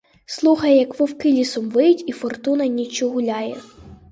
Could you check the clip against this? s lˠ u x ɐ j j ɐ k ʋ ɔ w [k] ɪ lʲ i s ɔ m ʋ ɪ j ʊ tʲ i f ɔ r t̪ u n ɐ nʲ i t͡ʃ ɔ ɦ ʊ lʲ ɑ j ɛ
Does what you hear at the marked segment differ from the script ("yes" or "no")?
no